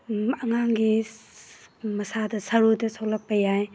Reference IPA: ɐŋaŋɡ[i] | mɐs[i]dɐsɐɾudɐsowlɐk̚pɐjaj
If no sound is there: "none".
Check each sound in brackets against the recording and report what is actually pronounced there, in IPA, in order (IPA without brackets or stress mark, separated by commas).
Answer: i, a